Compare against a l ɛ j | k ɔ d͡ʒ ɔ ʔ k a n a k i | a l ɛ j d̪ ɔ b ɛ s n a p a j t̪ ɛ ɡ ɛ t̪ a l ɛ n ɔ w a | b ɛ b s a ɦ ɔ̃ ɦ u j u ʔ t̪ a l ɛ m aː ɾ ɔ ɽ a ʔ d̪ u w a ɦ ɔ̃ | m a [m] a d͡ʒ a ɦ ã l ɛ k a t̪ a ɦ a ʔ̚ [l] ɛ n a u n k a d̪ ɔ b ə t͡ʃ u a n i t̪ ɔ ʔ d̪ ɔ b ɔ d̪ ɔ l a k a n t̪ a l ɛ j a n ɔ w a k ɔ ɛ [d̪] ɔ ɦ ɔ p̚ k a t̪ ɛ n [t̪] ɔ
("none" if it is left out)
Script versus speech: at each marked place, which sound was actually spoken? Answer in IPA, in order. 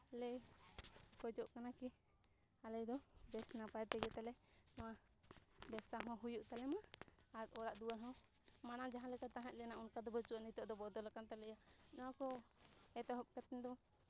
n, l, t̪, d̪

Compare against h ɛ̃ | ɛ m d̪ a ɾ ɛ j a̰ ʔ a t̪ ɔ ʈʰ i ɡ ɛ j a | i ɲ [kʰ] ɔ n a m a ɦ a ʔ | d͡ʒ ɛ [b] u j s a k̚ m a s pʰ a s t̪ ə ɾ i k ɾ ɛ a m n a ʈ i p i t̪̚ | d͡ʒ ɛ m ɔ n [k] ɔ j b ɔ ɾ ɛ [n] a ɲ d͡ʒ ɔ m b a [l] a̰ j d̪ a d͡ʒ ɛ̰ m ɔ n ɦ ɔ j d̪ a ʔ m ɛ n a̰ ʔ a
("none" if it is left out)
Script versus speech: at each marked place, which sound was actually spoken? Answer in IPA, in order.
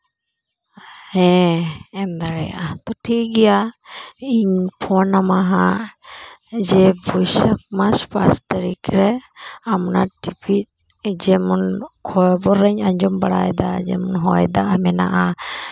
pʰ, b, kʰ, ɲ, ɽ

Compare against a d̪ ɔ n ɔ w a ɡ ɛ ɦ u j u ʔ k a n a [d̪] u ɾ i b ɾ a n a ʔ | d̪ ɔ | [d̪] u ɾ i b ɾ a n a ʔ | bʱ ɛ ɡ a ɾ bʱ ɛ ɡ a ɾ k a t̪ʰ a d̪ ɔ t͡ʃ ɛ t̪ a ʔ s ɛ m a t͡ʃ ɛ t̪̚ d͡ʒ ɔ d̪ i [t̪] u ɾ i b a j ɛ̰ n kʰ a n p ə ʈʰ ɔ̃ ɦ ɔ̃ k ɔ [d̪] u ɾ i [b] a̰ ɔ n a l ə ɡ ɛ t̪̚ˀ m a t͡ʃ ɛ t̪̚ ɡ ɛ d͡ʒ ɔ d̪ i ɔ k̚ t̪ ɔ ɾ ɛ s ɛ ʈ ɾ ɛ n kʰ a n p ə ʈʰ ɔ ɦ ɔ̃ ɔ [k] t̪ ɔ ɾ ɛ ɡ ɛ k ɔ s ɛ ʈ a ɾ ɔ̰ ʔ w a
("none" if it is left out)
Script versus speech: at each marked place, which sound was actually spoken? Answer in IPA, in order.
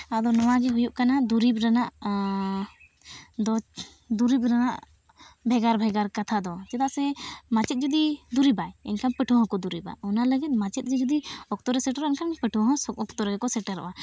d̪, d̪, d̪, d̪, b, k

